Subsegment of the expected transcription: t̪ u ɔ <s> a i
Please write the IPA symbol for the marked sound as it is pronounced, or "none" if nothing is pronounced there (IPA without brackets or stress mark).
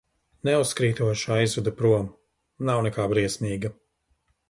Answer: ʃ